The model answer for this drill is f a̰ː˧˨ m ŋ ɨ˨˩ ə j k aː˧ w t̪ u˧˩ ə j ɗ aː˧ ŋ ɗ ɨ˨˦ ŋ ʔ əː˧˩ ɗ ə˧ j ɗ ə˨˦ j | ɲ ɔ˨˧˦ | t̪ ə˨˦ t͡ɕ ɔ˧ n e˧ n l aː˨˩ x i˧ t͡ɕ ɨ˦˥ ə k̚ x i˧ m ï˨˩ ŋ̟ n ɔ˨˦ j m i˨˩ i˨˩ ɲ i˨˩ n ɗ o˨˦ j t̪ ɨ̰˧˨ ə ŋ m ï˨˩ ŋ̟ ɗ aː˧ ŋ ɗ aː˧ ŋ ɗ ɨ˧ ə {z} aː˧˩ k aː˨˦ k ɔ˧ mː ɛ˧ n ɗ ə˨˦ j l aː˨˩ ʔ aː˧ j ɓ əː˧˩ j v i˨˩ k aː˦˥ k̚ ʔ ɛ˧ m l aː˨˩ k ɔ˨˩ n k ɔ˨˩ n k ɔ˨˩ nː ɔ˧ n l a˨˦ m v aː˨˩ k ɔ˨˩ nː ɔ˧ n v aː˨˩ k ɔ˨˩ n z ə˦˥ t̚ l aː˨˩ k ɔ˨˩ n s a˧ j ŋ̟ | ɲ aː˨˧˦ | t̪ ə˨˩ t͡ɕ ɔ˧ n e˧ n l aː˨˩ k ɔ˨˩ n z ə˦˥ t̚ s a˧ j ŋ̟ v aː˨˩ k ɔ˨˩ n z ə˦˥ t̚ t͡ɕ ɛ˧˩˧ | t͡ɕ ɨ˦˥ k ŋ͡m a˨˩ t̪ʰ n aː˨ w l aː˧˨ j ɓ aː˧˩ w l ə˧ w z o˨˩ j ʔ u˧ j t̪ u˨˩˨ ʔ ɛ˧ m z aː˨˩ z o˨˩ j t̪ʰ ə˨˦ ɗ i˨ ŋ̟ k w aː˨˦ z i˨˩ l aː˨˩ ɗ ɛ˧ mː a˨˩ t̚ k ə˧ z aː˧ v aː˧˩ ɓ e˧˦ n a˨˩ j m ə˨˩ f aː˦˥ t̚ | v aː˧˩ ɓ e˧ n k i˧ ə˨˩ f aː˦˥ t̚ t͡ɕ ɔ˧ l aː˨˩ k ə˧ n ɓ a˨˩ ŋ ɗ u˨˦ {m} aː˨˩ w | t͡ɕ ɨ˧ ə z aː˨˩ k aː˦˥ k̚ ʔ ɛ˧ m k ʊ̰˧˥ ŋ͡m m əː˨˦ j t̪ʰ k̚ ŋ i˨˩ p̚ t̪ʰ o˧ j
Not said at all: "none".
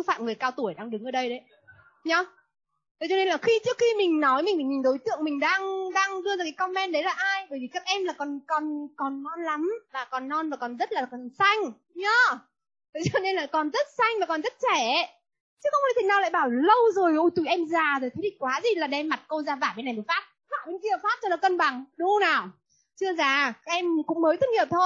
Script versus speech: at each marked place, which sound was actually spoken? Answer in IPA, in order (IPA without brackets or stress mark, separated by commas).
z, n